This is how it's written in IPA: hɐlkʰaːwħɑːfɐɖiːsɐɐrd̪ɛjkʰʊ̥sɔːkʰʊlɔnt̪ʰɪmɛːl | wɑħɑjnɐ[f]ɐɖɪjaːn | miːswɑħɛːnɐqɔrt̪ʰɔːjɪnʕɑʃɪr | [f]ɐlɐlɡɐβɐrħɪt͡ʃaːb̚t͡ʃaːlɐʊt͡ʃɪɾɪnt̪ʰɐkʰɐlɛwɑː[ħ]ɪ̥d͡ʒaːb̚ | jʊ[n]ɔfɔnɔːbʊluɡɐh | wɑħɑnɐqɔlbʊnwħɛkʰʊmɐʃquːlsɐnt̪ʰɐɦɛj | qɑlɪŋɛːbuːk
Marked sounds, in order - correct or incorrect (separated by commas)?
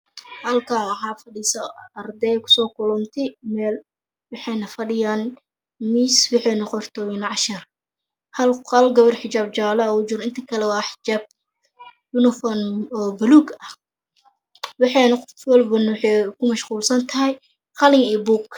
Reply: correct, incorrect, correct, correct